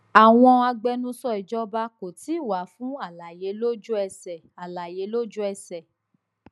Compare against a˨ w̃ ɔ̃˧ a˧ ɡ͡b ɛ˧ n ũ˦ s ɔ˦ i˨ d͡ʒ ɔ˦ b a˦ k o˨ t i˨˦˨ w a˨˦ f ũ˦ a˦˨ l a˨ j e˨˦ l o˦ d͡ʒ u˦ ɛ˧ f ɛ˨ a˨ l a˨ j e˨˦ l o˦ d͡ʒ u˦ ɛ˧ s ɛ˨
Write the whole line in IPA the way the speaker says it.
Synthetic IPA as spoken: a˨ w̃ ɔ̃˧ a˧ ɡ͡b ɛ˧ n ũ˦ s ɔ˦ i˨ d͡ʒ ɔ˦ b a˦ k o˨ t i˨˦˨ w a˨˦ f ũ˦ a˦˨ l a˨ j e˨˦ l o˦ d͡ʒ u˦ ɛ˧ s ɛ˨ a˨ l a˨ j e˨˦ l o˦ d͡ʒ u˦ ɛ˧ s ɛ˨